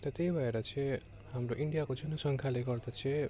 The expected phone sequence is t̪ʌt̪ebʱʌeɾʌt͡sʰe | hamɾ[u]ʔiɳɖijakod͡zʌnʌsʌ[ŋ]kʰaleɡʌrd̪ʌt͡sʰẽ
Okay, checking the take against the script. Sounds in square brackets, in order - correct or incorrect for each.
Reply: incorrect: o, correct

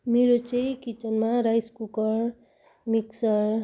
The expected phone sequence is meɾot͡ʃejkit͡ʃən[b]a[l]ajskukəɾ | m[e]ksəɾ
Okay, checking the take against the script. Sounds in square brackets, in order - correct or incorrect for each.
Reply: incorrect: m, incorrect: ɾ, incorrect: i

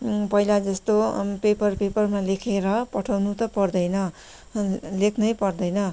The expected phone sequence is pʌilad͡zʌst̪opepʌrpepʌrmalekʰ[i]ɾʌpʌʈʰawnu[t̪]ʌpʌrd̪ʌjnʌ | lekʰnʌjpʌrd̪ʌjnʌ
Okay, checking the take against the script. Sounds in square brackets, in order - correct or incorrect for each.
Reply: incorrect: e, correct

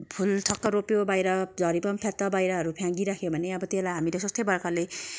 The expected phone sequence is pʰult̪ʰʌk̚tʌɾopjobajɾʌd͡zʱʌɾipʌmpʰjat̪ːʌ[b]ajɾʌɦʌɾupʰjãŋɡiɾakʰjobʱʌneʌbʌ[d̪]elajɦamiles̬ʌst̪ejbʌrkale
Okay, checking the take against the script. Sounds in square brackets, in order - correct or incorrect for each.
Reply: correct, incorrect: t̪

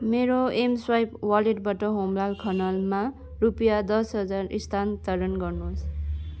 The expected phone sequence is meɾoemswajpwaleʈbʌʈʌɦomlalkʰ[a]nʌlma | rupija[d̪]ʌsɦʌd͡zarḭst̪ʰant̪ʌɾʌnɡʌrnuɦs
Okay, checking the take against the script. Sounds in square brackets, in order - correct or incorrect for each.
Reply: incorrect: ʌ, correct

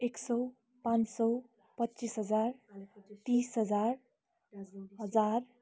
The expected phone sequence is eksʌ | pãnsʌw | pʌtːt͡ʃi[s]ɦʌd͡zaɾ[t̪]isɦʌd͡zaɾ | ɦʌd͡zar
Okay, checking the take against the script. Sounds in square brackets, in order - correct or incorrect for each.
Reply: correct, correct

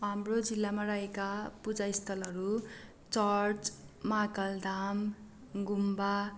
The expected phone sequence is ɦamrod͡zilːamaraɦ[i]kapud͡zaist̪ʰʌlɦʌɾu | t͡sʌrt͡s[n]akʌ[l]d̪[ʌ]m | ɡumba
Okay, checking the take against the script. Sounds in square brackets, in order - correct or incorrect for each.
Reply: incorrect: e, incorrect: m, correct, incorrect: a

